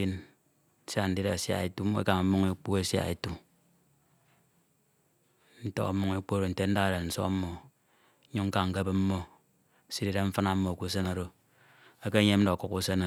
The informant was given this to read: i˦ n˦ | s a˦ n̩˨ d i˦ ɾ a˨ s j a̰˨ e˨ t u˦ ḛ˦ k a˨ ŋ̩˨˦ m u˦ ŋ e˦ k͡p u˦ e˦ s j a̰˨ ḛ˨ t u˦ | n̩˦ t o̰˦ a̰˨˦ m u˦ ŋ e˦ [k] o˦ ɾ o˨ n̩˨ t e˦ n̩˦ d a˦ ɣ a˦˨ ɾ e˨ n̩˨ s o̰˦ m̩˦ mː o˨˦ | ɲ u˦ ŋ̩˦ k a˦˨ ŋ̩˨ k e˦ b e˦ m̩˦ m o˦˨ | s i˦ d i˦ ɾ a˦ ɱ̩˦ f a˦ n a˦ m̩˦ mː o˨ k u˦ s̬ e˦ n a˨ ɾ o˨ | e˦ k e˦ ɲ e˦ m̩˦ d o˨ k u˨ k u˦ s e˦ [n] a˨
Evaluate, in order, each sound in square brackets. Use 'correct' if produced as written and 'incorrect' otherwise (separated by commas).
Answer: incorrect, correct